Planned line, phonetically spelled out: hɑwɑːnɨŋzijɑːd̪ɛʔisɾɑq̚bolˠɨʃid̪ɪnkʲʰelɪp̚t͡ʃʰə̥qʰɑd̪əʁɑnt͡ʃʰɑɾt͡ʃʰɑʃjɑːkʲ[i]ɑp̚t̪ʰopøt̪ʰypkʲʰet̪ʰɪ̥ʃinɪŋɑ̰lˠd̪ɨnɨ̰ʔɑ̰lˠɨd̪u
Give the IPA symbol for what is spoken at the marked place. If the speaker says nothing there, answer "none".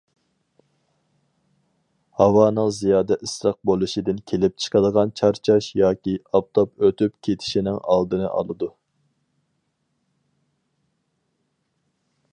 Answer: i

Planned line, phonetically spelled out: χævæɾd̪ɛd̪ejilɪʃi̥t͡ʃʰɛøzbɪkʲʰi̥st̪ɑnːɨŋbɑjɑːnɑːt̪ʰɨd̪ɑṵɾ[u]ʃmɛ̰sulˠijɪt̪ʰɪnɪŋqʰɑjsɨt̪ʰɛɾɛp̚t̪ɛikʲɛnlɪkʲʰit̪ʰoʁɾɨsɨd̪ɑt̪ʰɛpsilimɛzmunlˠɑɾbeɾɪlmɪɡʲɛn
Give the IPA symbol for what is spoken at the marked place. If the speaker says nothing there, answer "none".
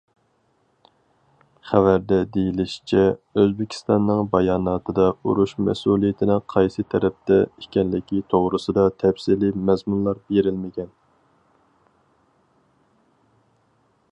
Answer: u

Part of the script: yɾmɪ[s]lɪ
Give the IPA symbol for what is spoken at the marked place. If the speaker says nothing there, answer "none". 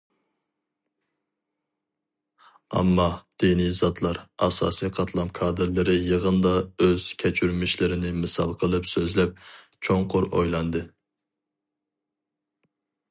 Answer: ʃ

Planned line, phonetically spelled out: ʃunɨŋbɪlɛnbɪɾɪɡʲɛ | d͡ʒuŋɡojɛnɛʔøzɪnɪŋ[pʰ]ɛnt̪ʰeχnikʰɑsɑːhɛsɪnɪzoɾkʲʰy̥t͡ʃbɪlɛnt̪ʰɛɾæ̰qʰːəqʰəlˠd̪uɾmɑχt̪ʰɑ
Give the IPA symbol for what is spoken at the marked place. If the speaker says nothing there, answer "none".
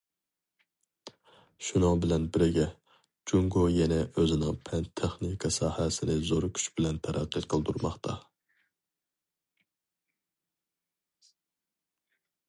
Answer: pʰ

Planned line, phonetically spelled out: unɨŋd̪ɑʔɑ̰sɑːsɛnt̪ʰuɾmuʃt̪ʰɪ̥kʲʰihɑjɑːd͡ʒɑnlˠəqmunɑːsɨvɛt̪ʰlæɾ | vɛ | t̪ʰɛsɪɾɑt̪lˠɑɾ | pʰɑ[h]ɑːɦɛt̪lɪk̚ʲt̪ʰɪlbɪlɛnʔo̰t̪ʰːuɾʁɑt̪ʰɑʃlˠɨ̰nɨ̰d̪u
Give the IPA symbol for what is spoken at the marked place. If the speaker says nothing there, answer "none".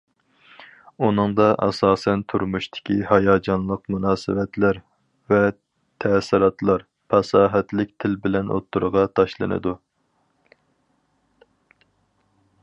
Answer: s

